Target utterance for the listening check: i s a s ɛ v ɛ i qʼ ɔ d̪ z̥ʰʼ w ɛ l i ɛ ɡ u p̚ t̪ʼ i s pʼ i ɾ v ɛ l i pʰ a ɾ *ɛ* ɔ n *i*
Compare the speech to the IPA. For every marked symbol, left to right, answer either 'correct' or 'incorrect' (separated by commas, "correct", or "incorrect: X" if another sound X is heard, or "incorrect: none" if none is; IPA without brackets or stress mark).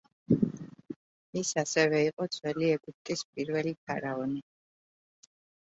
incorrect: a, correct